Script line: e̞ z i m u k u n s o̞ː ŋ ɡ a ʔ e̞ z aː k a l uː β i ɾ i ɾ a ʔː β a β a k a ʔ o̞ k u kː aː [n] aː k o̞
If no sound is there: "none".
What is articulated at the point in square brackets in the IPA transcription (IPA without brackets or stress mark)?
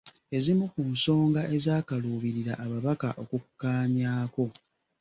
ɲ